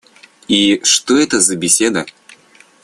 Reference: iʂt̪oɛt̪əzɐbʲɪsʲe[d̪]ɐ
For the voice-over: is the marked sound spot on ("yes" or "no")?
yes